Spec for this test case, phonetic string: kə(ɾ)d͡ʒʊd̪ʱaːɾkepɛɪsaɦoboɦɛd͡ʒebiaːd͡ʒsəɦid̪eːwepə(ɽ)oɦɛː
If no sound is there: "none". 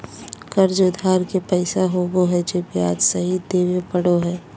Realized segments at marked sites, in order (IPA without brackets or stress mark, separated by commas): ɾ, ɽ